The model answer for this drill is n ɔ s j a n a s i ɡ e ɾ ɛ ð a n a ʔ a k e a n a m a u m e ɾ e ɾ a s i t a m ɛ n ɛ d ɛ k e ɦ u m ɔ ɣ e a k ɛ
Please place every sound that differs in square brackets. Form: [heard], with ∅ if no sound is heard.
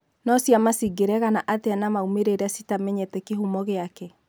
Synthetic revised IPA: n ɔ s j a [m] a s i ɡ e ɾ ɛ [ɣ] a n a ʔ a [t] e a n a m a u m e ɾ e ɾ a s i t a m ɛ [ɲ] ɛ [t] ɛ k e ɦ u m ɔ ɣ e a k ɛ